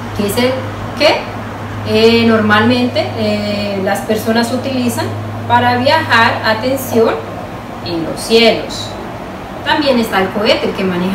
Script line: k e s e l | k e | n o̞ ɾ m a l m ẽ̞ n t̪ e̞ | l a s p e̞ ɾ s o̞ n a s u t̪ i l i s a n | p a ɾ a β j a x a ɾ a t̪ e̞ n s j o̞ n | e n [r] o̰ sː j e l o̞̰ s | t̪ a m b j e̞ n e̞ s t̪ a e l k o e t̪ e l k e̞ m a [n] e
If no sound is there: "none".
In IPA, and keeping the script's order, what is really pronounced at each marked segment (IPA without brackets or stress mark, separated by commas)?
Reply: l, n